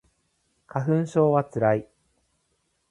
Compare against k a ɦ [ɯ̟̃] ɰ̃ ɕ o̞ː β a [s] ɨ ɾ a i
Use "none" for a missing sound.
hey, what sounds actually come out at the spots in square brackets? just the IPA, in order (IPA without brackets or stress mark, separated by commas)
ɯ̟̃, t͡s